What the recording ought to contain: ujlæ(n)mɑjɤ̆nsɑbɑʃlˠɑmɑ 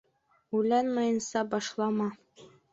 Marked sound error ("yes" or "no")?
no